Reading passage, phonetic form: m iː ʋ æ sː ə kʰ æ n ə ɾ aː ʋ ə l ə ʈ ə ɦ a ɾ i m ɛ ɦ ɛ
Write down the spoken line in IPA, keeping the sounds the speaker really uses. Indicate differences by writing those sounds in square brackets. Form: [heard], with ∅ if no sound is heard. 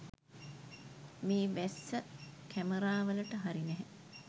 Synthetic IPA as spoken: m iː ʋ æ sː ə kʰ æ [m] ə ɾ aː ʋ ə l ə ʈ ə ɦ a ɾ i [n] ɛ ɦ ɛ